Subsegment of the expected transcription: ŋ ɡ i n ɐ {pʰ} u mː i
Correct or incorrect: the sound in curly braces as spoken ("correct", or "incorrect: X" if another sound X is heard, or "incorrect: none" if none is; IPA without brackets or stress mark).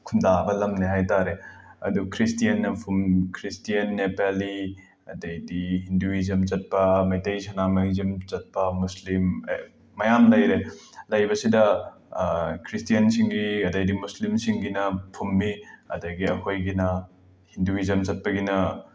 correct